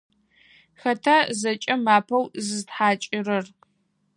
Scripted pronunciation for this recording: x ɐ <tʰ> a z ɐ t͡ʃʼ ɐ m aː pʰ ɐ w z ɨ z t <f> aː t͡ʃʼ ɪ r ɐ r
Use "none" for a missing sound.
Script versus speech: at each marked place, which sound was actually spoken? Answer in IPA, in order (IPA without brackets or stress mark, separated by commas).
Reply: tʰ, ħ